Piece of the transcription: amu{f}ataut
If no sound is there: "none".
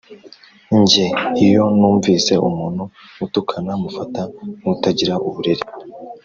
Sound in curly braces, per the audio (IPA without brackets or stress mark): f